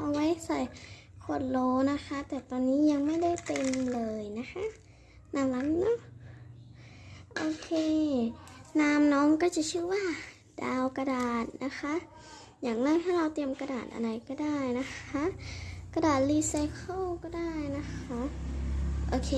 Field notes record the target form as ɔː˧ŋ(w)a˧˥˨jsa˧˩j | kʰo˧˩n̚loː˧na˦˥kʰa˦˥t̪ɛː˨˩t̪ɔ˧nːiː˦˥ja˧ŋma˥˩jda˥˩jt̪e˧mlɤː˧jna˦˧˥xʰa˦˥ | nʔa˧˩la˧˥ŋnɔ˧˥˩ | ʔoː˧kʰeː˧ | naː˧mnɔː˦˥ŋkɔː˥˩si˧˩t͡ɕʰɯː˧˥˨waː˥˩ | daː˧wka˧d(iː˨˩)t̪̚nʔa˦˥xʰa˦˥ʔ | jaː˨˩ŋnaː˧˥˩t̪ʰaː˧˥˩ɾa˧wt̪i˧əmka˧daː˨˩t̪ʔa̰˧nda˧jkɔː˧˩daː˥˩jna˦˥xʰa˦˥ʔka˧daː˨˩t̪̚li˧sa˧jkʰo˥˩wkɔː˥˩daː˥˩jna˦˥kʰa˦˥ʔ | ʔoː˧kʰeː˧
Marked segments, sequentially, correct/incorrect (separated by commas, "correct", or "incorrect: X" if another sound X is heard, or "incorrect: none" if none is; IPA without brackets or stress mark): correct, incorrect: aː˨˩